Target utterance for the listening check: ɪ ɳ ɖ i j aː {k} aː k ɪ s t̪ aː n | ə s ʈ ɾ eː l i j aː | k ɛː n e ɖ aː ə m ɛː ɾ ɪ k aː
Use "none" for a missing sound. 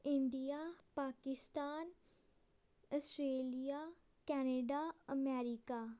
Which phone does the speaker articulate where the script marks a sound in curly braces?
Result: p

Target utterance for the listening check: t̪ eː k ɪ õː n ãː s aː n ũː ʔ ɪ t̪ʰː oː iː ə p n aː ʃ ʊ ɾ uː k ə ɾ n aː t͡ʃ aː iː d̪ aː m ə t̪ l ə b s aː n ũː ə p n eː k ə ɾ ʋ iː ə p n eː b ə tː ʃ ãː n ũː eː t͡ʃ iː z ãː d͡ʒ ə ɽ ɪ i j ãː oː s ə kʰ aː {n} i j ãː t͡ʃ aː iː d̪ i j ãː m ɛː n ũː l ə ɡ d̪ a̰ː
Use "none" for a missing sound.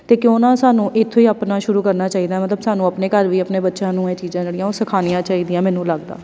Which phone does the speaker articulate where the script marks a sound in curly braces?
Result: n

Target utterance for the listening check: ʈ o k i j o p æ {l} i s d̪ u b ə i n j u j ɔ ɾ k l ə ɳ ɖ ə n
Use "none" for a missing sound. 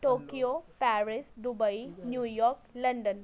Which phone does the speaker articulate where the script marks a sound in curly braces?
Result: ɾ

